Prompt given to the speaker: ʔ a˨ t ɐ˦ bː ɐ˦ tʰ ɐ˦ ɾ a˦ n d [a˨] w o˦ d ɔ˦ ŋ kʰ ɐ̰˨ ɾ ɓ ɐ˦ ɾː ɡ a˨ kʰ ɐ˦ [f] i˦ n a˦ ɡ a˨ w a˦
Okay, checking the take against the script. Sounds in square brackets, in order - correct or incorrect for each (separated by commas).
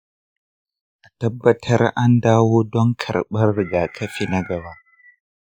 incorrect, correct